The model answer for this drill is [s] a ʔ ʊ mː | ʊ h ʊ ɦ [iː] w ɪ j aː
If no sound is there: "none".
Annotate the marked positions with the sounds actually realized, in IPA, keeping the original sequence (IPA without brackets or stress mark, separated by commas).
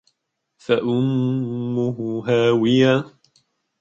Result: f, aː